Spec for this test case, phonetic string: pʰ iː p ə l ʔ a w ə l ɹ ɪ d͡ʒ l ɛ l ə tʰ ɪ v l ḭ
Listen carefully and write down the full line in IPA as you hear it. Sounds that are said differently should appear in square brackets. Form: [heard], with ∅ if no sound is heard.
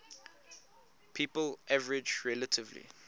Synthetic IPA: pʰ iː p ə l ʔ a [v] ə [∅] ɹ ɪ d͡ʒ [ɹ] ɛ l ə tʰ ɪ v l ḭ